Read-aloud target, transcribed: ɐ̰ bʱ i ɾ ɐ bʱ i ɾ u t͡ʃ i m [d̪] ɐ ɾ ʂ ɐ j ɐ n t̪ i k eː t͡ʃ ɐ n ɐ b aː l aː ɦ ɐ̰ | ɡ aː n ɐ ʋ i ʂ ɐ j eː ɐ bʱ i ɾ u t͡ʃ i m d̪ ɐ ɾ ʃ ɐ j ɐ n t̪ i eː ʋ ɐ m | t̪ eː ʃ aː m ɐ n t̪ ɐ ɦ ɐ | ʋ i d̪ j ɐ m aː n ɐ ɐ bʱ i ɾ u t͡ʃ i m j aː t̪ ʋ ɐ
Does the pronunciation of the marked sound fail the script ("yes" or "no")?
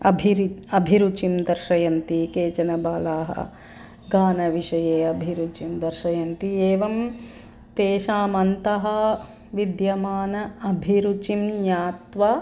no